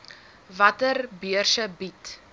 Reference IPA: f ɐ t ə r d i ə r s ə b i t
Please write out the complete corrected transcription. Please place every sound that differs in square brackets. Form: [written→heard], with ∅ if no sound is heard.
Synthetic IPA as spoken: [f→v] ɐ t ə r [d→b] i ə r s ə b i t